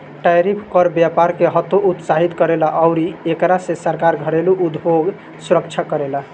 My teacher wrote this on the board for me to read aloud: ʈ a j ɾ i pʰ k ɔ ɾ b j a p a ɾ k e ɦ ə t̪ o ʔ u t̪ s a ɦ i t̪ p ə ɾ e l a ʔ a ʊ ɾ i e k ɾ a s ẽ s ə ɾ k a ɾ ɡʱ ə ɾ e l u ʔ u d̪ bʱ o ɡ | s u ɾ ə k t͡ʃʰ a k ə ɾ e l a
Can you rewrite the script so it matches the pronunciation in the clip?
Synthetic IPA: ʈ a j ɾ i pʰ k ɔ ɾ b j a p a ɾ k e ɦ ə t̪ o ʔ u t̪ s a ɦ i t̪ k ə ɾ e l a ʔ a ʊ ɾ i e k ɾ a s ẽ s ə ɾ k a ɾ ɡʱ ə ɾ e l u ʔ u d̪ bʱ o ɡ | s u ɾ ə k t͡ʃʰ a k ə ɾ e l a